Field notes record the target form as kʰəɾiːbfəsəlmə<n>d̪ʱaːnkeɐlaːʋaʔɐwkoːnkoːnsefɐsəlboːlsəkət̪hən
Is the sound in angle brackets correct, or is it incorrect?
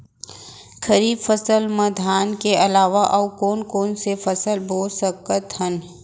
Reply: incorrect